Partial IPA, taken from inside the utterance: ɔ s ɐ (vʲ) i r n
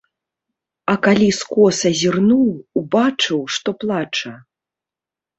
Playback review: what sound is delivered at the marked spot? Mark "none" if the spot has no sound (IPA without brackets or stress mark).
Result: zʲ